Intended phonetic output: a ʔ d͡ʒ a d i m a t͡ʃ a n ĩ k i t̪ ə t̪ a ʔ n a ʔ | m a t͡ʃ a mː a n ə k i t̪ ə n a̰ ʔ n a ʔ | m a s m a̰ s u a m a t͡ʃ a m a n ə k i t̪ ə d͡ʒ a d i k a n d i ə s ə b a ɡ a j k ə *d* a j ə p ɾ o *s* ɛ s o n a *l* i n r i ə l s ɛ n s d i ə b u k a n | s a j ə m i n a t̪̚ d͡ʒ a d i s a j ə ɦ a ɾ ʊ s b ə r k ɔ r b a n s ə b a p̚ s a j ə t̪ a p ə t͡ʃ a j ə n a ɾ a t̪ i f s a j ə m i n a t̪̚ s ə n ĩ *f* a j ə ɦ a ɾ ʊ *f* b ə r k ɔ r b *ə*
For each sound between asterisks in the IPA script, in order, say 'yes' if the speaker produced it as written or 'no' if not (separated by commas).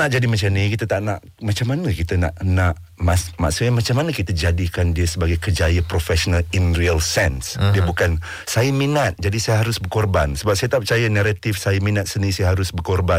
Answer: no, no, yes, no, no, no